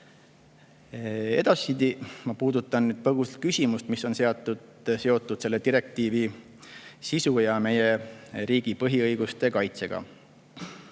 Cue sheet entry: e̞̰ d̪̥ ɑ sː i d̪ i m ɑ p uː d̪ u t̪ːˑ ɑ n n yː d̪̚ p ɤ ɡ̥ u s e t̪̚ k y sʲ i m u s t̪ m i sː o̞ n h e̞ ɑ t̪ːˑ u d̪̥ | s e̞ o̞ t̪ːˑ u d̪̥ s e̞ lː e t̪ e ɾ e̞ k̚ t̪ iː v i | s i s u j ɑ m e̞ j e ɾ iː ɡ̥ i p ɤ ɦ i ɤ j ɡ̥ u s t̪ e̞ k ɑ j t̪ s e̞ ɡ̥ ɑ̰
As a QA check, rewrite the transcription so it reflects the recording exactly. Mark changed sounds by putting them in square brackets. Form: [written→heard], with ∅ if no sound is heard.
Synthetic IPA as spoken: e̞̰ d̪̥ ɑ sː i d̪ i m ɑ p uː d̪ u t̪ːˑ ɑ n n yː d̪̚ p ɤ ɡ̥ u s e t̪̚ k y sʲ i m u s t̪ m i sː o̞ n [h→s] e̞ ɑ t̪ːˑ u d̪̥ | s e̞ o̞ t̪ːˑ u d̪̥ s e̞ lː e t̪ [e→i] ɾ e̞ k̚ t̪ iː v i | s i s u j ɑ m e̞ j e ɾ iː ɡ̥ i p ɤ ɦ i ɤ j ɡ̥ u s t̪ e̞ k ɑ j t̪ s e̞ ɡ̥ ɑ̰